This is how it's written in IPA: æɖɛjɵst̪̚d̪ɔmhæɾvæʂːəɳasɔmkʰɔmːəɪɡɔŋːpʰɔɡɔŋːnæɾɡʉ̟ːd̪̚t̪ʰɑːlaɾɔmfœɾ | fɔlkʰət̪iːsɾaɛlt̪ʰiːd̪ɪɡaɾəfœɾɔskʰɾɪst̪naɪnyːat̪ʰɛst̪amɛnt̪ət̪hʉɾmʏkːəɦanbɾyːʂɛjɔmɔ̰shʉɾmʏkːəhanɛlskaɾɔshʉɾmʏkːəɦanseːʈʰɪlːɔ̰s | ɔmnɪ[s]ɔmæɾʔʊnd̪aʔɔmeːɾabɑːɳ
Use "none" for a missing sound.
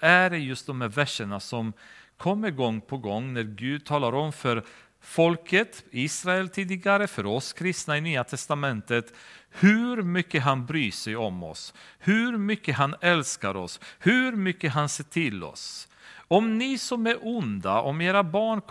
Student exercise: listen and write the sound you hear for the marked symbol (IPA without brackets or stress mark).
s